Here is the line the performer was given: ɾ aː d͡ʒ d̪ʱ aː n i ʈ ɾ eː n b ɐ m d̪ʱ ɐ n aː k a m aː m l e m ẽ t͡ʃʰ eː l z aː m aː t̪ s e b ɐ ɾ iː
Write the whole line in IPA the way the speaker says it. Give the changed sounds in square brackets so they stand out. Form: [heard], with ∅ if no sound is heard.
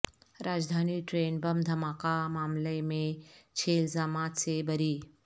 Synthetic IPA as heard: ɾ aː d͡ʒ d̪ʱ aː n i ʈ ɾ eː n b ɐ m d̪ʱ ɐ [m] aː k a m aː m l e m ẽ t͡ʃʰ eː l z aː m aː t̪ s e b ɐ ɾ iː